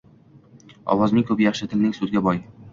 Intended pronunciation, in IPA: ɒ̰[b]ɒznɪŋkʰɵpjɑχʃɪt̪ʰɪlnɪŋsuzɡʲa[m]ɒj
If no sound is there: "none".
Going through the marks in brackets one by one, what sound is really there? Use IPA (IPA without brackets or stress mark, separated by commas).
w, b